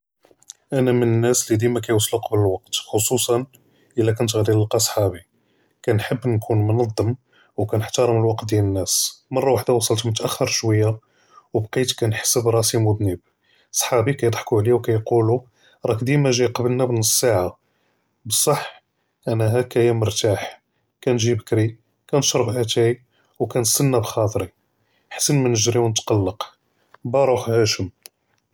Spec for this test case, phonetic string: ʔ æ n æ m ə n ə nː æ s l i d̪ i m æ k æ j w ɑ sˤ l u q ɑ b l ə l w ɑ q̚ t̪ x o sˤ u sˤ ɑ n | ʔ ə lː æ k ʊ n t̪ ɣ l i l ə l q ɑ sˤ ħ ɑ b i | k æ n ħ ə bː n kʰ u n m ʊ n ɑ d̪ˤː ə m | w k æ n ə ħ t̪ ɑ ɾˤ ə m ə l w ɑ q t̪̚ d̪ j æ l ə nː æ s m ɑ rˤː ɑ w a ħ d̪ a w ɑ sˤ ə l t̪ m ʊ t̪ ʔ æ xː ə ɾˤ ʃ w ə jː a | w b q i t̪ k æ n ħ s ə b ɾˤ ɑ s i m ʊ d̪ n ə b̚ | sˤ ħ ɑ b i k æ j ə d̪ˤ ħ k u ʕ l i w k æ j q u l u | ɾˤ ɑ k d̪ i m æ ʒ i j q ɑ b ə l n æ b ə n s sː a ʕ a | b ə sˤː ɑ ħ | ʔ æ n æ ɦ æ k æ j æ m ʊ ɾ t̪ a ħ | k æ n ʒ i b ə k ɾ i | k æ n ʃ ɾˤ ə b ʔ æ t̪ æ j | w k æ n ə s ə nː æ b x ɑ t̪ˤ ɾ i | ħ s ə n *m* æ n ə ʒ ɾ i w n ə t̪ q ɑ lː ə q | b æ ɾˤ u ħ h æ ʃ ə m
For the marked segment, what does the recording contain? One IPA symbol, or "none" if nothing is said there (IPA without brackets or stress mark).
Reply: m